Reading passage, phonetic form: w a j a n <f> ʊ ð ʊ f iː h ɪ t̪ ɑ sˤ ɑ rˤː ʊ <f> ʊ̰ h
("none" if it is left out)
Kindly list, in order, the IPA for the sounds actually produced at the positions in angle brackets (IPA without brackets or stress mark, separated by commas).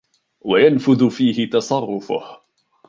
f, f